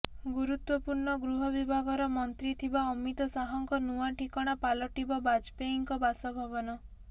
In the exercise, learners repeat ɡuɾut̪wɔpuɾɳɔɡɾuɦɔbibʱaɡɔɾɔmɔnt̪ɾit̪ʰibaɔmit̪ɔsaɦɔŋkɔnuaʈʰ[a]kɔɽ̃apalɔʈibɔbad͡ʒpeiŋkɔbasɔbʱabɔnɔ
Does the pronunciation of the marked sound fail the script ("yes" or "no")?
yes